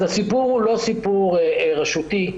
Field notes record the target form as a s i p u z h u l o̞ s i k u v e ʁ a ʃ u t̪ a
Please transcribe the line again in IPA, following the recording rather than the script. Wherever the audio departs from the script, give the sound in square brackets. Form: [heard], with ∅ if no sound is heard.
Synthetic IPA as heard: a s i p u [ʁ] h u l o̞ s i [p] u [ʁ] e ʁ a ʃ u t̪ [i]